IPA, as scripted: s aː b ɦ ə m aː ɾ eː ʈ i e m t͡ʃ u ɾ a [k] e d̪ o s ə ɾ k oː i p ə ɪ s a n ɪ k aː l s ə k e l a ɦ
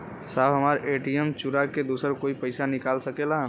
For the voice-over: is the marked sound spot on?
yes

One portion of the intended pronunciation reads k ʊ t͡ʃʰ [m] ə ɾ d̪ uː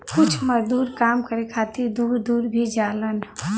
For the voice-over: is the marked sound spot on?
yes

